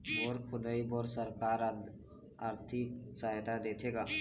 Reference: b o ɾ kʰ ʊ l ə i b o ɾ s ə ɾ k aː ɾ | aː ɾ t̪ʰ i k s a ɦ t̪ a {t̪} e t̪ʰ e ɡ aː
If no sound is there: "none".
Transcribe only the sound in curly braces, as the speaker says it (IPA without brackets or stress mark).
d̪